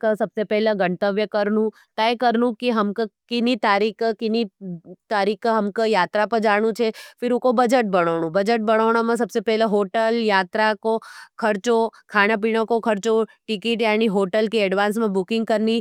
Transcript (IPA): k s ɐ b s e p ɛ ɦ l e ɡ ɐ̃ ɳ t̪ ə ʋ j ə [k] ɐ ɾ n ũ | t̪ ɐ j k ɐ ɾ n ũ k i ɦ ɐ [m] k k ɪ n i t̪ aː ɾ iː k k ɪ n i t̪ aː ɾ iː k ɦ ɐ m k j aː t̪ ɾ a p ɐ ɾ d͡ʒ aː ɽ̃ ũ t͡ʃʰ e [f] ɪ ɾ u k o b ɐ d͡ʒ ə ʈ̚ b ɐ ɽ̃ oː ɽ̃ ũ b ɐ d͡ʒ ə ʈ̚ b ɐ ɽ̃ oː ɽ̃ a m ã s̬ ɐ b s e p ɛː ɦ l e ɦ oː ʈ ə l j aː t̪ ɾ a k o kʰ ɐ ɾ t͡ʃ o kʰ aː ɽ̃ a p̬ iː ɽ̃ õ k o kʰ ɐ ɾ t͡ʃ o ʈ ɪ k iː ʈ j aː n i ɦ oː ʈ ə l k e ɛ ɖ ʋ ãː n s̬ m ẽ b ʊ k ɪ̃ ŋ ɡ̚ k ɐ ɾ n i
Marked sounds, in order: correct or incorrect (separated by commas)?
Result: correct, correct, correct